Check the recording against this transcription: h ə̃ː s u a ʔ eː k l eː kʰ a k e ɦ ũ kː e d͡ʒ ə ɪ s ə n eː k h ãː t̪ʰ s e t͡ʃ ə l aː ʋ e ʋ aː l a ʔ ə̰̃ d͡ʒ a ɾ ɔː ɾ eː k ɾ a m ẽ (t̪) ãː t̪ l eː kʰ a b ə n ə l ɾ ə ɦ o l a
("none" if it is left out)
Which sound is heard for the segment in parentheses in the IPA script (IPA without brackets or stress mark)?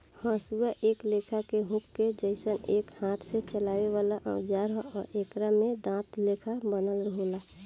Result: d̪